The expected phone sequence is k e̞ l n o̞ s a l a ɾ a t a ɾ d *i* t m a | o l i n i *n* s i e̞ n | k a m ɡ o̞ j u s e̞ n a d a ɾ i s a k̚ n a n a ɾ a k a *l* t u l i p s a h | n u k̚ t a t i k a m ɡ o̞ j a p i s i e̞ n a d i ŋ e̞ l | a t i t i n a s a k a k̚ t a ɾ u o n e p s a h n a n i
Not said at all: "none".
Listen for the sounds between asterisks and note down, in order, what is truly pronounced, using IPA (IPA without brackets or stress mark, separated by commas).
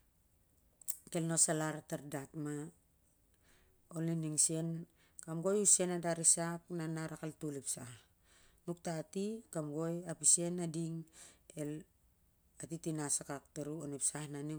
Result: a, ŋ, l